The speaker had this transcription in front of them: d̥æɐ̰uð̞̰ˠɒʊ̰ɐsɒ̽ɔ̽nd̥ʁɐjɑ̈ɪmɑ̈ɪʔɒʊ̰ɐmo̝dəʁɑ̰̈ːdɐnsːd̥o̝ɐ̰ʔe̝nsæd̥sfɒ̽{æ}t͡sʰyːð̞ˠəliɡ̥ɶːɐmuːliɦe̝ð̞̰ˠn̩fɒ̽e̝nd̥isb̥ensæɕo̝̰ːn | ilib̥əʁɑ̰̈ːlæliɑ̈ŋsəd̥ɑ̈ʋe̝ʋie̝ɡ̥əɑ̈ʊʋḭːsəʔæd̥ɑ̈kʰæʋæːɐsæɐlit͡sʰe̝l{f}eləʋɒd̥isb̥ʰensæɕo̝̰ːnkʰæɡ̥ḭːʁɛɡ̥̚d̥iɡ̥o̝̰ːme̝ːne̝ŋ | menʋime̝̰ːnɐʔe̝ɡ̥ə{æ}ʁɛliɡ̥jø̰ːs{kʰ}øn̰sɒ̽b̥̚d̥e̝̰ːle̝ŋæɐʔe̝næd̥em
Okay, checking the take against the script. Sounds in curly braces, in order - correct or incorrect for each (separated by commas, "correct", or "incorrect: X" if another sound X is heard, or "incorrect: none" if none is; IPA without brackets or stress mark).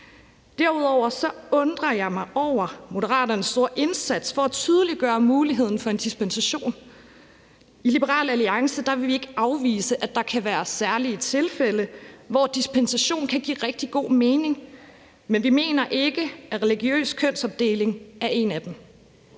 correct, correct, correct, correct